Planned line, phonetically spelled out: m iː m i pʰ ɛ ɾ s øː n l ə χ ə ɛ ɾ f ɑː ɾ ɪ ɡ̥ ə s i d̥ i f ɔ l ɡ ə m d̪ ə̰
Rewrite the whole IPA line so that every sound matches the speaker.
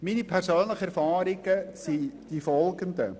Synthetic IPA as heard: m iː n i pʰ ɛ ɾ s øː n l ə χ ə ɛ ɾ f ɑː ɾ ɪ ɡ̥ ə s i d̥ i f ɔ l ɡ ə n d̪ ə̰